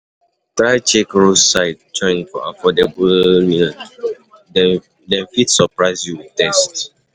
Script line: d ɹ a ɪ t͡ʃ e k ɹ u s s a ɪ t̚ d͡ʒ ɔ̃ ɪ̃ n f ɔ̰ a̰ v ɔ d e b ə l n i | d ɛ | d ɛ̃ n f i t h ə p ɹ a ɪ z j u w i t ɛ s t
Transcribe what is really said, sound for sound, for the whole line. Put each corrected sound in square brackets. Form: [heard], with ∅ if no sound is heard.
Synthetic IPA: [t] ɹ a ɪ t͡ʃ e k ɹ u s s a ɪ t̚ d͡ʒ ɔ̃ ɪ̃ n f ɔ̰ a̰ [f] ɔ d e b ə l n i | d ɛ | d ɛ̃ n f i t [s] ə p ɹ a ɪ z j u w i t ɛ s t